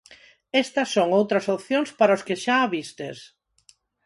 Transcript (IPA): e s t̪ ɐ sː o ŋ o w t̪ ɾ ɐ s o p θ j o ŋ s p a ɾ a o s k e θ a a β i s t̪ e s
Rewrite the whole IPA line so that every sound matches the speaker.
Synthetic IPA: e s t̪ ɐ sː o ŋ o w t̪ ɾ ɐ s o p θ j o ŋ s p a ɾ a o s k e ʃ a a β i s t̪ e s